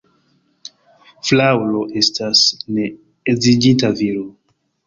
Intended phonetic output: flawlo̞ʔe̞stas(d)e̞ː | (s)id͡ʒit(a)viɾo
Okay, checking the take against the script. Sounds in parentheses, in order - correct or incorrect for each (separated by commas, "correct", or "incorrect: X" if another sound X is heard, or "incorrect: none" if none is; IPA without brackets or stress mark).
incorrect: n, incorrect: z, correct